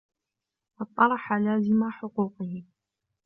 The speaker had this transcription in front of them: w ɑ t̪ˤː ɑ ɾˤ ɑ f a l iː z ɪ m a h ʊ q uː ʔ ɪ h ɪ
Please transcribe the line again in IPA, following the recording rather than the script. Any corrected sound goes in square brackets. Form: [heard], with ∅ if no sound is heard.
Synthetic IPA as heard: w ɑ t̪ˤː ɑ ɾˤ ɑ [ħ] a l [aː] z ɪ m a [ħ] ʊ q uː [q] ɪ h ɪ